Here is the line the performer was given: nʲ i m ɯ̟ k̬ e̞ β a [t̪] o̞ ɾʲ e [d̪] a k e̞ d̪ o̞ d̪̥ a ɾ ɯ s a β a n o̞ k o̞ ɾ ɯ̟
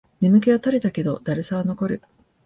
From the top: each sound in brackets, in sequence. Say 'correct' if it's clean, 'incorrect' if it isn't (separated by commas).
correct, incorrect